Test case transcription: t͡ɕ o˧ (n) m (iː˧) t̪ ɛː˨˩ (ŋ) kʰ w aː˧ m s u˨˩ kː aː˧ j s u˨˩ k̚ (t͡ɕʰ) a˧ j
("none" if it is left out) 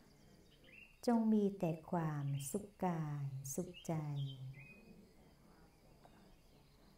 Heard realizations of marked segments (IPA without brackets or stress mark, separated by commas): ŋ, iː˧, none, t͡ɕ